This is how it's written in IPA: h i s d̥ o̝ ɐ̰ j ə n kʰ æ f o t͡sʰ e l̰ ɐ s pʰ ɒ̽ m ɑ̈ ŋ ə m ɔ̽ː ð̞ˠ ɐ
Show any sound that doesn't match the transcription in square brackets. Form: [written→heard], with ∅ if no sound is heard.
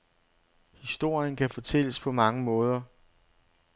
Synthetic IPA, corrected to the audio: h i s d̥ o̝ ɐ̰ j ə n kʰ æ f [o→ɒ] t͡sʰ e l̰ [ɐ→ə] s pʰ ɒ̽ m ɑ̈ ŋ ə m ɔ̽ː ð̞ˠ ɐ

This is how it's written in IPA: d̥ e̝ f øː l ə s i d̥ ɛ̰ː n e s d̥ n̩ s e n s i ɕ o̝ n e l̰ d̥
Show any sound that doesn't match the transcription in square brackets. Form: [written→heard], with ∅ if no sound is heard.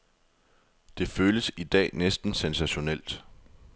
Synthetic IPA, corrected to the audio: d̥ e̝ f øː l ə s i d̥ ɛ̰ː n e s d̥ n̩ s e n s [i→æ] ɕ o̝ n e l̰ d̥

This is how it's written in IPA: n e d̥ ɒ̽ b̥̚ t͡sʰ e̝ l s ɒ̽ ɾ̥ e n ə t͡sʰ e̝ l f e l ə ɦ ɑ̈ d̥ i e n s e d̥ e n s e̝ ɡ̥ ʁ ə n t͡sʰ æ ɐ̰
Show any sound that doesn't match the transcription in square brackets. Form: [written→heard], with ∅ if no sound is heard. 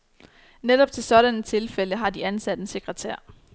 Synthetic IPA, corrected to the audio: n e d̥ ɒ̽ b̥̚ t͡sʰ e̝ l s ɒ̽ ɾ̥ [e→æ] n ə t͡sʰ e̝ l f e l ə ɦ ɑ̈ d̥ i [e→æ] n s [e→æ] d̥ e n s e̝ ɡ̥ ʁ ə [n→∅] t͡sʰ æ ɐ̰

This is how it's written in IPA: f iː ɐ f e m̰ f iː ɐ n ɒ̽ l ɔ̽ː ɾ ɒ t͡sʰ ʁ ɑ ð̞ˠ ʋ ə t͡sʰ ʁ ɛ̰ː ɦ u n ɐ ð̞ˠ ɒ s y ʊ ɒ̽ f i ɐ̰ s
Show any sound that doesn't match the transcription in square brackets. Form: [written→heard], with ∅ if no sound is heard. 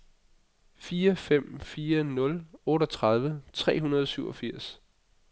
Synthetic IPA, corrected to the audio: f iː ɐ f e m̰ f iː ɐ n [ɒ̽→ɔ̽] l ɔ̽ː ɾ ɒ t͡sʰ ʁ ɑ ð̞ˠ ʋ ə t͡sʰ ʁ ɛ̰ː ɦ u n ɐ ð̞ˠ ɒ s y ʊ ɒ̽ f i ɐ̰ s

